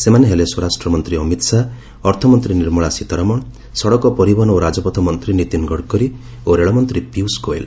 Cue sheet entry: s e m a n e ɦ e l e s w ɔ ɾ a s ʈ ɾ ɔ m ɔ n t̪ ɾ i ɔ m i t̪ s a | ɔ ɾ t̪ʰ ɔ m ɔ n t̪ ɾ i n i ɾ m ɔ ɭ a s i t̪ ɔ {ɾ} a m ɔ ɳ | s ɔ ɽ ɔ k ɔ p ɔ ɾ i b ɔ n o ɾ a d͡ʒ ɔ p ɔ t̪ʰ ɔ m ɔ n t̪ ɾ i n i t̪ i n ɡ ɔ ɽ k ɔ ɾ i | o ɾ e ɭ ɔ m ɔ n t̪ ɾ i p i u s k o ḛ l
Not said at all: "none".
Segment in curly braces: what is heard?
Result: ɾ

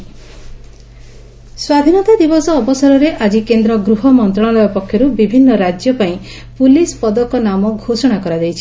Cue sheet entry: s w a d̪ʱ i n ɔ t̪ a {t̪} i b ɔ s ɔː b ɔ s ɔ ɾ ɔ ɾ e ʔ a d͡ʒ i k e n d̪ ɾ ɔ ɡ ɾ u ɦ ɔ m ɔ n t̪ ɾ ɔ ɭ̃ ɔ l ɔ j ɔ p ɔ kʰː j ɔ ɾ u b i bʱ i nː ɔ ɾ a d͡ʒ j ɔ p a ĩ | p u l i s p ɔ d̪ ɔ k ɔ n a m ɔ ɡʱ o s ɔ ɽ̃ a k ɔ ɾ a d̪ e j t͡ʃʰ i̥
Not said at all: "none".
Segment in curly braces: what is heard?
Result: d̪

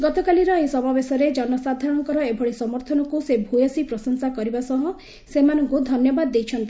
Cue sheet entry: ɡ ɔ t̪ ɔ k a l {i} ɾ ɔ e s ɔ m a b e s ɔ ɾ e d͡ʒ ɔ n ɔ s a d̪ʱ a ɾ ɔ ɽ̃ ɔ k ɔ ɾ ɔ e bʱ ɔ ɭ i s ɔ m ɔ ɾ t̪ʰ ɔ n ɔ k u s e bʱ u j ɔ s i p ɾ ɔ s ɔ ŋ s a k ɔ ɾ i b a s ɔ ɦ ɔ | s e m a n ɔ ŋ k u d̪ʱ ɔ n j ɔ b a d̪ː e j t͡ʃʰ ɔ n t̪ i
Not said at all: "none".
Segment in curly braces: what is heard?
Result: i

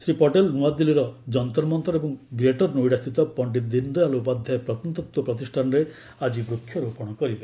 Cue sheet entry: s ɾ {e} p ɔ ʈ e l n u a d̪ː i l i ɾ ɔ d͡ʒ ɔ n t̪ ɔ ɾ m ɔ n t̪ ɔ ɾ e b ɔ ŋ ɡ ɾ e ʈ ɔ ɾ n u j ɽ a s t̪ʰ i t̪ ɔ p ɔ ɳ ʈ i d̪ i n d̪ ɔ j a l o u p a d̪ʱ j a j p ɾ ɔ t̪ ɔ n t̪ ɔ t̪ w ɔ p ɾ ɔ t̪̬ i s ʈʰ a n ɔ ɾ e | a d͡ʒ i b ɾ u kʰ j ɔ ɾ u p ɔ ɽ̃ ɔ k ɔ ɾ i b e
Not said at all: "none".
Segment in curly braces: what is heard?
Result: i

